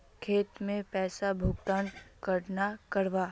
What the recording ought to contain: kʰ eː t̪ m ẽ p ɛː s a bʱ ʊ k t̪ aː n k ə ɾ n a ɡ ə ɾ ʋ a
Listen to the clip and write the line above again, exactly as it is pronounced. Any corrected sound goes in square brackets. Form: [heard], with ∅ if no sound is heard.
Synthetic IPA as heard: kʰ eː t̪ m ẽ p ɛː s a bʱ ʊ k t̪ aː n k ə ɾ n a [k] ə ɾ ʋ a